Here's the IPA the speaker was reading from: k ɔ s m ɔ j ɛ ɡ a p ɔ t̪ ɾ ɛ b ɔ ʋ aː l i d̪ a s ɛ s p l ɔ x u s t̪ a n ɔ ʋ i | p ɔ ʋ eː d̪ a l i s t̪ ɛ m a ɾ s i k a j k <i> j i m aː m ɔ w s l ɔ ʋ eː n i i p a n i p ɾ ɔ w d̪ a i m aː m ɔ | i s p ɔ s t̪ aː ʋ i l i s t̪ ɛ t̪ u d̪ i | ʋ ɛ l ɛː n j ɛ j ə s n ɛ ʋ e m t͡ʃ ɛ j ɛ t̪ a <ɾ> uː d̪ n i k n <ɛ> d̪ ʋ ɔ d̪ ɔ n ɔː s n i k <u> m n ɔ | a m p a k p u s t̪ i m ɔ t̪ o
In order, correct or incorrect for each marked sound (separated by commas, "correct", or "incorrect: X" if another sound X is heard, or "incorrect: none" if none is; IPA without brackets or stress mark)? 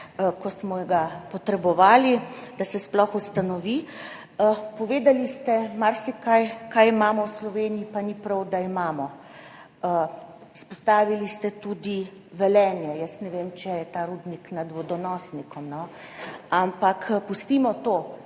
incorrect: a, correct, incorrect: a, incorrect: ɔ